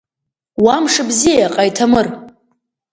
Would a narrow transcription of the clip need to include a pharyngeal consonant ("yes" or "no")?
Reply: no